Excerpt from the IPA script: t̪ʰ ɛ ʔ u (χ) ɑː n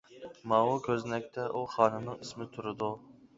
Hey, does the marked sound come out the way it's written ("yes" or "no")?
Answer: yes